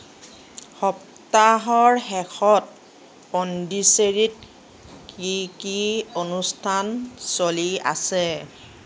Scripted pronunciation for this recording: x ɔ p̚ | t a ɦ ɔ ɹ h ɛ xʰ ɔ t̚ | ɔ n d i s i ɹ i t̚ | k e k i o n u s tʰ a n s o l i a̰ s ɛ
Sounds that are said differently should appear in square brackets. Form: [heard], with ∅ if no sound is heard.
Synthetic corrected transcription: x ɔ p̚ | t a ɦ ɔ ɹ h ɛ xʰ ɔ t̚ | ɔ n d i s [e] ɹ i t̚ | k [i] k i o n u s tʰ a n s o l i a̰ s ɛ